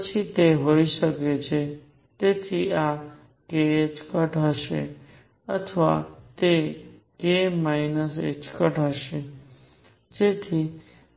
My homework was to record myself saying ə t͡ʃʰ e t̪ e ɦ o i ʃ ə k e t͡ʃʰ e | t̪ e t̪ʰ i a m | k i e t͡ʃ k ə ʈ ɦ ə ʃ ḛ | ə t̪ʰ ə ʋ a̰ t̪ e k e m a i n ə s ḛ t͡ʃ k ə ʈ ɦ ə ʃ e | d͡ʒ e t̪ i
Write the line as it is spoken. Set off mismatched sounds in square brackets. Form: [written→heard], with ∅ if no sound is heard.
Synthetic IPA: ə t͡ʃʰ [e→i] t̪ e ɦ o i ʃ ə k e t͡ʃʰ e | t̪ e t̪ʰ i a [m→∅] | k [i→e] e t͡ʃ k ə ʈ ɦ ə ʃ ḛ | ə t̪ʰ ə ʋ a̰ t̪ e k e m a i n ə s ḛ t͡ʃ k ə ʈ ɦ ə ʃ e | d͡ʒ e [t̪→t̪ʰ] i

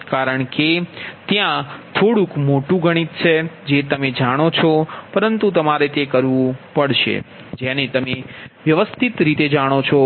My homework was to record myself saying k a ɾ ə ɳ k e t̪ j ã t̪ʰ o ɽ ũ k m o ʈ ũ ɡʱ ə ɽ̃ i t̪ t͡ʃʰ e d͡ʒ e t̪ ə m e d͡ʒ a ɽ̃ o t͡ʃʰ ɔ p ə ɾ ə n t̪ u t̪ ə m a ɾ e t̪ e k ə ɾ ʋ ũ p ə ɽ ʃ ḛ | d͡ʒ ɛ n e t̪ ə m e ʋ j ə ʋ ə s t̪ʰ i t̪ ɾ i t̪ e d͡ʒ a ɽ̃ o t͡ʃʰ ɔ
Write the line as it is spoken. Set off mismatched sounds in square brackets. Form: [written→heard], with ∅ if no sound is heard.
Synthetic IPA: k a ɾ ə ɳ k e t̪ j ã t̪ʰ o ɽ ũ k m o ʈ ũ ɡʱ ə ɽ̃ i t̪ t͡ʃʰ e d͡ʒ e t̪ ə m e d͡ʒ a ɽ̃ o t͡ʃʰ ɔ p ə ɾ ə n t̪ u t̪ ə m a ɾ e t̪ e k ə ɾ ʋ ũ p ə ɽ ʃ ḛ | d͡ʒ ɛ n e t̪ ə m e ʋ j ə ʋ ə s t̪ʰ i t̪ ɾ i t̪ e d͡ʒ a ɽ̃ o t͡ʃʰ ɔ

